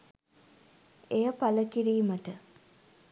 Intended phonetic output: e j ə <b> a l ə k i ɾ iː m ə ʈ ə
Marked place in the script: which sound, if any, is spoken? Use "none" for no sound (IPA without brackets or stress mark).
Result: p